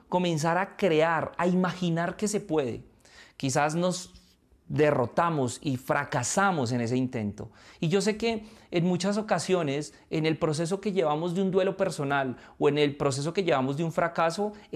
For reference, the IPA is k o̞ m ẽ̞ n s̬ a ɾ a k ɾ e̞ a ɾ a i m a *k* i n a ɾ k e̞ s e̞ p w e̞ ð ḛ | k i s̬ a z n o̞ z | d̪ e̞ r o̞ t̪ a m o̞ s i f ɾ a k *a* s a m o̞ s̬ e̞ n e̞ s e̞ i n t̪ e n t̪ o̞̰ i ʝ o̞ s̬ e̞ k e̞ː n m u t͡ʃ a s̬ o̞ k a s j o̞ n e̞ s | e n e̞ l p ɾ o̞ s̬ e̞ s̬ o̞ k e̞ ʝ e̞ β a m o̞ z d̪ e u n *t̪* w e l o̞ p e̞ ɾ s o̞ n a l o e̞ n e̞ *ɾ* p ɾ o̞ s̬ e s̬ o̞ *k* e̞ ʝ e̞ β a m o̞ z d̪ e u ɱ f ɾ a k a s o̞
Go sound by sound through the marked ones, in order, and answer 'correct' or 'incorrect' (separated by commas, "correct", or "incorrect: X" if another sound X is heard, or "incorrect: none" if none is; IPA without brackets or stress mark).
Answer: incorrect: x, correct, incorrect: d̪, incorrect: l, correct